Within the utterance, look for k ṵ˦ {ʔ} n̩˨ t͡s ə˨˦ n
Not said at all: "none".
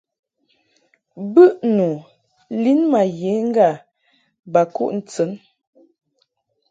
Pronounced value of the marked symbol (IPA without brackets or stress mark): ʔ